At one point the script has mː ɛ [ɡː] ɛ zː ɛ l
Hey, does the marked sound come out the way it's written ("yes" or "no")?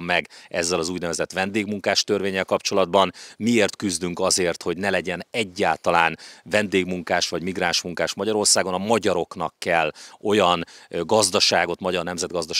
no